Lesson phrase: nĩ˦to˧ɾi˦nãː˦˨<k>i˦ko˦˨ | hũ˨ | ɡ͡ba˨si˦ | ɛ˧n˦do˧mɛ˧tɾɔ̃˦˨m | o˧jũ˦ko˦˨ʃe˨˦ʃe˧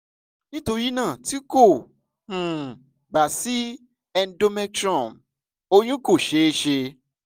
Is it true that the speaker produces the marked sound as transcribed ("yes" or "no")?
no